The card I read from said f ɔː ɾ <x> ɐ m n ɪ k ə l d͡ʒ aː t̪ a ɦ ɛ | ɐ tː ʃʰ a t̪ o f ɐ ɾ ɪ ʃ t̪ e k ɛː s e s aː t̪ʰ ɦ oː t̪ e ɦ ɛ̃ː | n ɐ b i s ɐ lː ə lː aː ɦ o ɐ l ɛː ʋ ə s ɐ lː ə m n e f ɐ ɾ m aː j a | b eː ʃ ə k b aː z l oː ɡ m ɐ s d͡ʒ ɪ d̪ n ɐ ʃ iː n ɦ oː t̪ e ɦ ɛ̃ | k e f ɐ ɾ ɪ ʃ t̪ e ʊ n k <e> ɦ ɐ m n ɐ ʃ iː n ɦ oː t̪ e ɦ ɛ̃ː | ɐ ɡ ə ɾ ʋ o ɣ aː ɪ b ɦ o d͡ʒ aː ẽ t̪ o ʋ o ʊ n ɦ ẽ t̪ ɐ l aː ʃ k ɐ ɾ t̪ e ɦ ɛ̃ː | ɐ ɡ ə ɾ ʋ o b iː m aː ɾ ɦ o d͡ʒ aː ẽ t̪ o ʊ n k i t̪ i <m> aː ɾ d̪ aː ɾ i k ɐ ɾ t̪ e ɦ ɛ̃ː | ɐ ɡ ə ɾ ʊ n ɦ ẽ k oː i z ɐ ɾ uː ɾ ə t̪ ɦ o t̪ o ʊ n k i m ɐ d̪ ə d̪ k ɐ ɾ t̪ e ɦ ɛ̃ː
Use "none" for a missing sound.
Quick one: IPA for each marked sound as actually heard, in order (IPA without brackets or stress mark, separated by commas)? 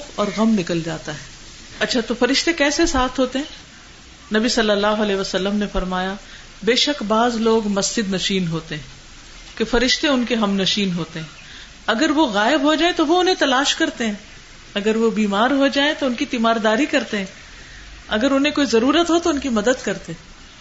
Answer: ɣ, e, m